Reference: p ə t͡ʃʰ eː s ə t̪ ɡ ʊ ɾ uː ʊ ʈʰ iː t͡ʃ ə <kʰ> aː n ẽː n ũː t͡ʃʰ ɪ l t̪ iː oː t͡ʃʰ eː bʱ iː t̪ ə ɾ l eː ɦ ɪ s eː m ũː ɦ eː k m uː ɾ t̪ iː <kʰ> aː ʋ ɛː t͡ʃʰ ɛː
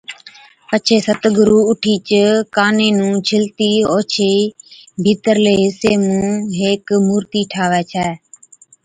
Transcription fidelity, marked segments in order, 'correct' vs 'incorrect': incorrect: k, incorrect: ʈʰ

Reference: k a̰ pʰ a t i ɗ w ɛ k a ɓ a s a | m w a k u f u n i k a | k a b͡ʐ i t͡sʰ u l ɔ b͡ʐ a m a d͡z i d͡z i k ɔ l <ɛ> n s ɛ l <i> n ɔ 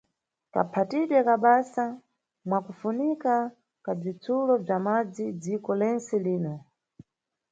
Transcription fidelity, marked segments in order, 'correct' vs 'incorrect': correct, incorrect: iː

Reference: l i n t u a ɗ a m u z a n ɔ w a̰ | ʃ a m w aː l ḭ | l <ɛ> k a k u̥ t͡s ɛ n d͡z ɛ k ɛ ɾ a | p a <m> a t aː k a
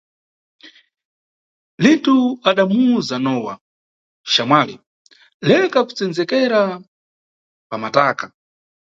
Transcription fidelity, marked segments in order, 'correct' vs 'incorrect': correct, correct

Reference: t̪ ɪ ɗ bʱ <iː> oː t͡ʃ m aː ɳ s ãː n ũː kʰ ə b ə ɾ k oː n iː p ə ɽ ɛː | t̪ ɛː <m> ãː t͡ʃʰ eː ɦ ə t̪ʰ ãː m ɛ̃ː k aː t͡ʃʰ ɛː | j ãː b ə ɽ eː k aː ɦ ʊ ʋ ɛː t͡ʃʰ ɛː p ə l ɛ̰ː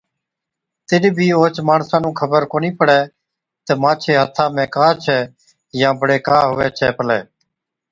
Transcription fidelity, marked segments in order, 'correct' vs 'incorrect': correct, correct

